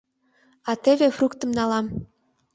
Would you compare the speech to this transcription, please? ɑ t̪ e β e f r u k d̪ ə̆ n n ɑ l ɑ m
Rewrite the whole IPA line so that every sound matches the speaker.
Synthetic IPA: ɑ t̪ e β e f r u k t̪ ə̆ m n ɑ l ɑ m